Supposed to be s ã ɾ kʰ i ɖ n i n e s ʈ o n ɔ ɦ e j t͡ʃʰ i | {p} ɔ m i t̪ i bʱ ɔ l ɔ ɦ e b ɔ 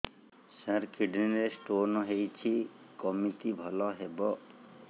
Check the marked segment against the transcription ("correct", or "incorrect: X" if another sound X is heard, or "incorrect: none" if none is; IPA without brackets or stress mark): incorrect: k